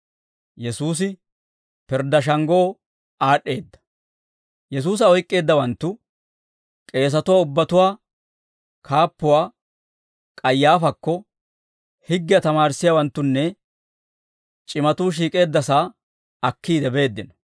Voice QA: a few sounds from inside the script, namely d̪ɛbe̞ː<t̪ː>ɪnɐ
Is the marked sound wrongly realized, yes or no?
yes